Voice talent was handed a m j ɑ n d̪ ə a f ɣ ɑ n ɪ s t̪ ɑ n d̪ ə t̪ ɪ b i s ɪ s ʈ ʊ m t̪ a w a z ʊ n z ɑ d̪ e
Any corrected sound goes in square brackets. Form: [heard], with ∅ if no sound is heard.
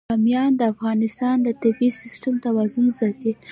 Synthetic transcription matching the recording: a m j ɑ n d̪ ə a f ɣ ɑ n ɪ s t̪ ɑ n d̪ ə t̪ ɪ b i s ɪ s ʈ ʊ m t̪ a w a z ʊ n z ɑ [t̪] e